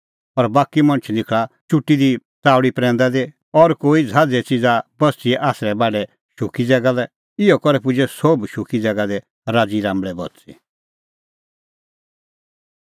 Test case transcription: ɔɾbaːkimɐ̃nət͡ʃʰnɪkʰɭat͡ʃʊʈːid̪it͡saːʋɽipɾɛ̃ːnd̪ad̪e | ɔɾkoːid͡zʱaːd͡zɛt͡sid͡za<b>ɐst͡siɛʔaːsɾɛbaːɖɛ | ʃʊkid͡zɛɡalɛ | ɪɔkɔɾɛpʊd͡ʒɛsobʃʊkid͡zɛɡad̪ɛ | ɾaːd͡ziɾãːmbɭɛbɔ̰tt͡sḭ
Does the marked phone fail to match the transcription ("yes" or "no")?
no